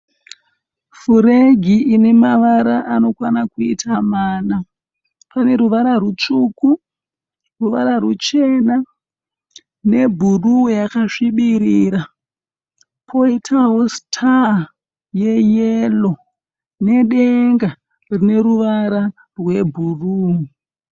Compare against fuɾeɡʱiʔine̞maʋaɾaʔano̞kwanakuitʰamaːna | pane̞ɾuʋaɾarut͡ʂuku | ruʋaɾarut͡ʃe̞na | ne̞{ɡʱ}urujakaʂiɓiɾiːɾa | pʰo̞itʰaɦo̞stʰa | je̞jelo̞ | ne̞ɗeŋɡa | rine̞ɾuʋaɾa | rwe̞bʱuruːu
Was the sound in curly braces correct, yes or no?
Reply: no